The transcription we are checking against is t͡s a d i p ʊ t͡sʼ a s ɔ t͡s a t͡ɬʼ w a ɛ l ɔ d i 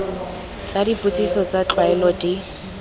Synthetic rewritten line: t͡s a d i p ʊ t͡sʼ i s ɔ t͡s a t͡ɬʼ w a ɛ l ɔ d i